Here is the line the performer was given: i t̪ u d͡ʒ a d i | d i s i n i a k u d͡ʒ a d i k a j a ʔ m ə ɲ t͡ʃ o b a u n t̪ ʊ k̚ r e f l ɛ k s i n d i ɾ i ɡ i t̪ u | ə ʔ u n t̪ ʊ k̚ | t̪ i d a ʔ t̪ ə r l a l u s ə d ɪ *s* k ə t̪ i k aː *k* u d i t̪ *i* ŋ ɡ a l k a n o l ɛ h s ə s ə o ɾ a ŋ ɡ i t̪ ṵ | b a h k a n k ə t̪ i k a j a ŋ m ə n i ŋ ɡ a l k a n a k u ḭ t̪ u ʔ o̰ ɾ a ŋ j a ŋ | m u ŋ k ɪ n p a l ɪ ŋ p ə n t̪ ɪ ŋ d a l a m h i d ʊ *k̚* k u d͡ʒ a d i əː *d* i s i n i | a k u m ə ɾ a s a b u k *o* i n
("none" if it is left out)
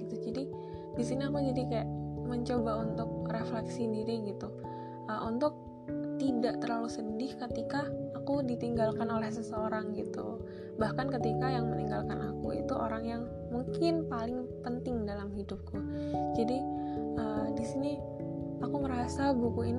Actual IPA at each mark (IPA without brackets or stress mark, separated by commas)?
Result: h, k, i, p̚, d, u